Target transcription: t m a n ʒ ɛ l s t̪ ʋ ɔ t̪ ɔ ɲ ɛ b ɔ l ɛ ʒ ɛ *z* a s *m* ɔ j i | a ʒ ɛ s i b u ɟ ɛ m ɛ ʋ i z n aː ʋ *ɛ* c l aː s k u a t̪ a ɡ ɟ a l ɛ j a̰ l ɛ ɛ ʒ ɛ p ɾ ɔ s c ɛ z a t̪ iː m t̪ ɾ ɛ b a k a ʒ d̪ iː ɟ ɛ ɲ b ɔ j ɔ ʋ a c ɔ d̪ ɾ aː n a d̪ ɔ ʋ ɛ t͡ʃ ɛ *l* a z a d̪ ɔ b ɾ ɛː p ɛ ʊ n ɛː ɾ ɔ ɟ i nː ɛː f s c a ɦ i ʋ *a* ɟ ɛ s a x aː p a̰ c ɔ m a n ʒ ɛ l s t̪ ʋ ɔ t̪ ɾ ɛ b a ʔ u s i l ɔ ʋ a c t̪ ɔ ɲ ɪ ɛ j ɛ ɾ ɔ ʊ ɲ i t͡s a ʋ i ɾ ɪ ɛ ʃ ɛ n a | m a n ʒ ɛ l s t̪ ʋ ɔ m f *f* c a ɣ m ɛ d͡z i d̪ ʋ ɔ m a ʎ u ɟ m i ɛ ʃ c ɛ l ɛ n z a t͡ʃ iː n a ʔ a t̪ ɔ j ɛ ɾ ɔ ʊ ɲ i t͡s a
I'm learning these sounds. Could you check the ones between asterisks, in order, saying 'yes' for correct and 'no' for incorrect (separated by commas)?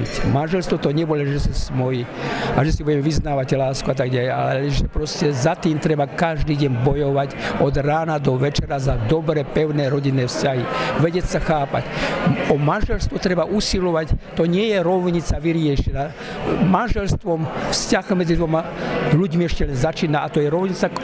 no, yes, no, no, no, no